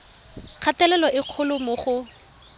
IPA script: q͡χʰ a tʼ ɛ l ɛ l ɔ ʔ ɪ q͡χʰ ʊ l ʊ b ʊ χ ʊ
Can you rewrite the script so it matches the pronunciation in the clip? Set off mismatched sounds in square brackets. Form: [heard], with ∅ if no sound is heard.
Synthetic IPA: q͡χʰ a [t] ɛ l ɛ l ɔ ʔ ɪ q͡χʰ ʊ l ʊ [m] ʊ χ ʊ